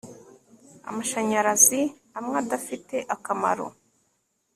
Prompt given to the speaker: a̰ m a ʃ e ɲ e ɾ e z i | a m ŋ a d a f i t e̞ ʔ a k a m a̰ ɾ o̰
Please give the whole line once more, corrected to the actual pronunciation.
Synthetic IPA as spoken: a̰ m a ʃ a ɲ a ɾ a z i | a m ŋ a d a f i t e̞ ʔ a k a m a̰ ɾ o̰